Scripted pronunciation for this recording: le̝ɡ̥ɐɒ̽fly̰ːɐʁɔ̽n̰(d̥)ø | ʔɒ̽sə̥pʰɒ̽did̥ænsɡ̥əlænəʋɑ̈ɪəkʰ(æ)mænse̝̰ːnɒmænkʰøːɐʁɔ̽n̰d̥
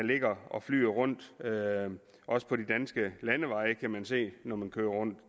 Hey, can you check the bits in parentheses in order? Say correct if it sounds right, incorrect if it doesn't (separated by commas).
correct, correct